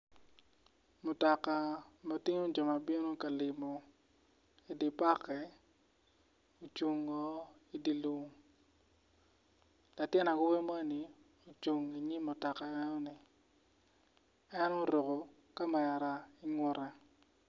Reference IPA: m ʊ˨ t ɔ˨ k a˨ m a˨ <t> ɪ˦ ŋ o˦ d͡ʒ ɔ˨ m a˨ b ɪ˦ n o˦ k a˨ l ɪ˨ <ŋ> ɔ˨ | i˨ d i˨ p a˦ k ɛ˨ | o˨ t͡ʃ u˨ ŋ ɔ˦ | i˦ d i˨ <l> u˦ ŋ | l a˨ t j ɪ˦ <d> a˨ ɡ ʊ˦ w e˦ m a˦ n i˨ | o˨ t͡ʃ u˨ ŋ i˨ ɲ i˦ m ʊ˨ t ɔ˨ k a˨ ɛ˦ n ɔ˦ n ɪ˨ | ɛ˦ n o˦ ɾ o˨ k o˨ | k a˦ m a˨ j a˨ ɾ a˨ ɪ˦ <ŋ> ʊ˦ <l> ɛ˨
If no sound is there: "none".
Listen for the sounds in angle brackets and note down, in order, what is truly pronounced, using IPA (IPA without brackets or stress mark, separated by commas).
t, m, l, n, ŋ, ɾ